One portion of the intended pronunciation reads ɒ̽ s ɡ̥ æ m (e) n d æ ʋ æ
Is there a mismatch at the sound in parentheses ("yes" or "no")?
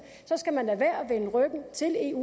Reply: yes